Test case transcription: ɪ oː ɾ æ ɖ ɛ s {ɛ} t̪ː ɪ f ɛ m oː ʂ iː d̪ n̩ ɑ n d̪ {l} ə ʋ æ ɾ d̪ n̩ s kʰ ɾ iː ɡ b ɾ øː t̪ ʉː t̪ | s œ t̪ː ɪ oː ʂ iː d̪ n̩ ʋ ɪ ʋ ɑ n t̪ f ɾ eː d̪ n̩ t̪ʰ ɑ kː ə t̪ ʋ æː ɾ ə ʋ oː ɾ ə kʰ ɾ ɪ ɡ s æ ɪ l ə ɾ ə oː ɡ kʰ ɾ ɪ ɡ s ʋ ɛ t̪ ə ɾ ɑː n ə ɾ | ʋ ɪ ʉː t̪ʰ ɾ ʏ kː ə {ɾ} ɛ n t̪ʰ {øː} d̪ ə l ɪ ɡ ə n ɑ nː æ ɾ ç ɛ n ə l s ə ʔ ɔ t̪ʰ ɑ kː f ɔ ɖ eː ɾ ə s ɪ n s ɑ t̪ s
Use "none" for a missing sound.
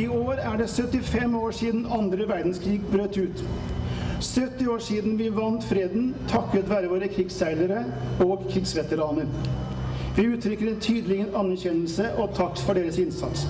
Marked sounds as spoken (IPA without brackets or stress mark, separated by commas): œ, ɾ, ɾ, yː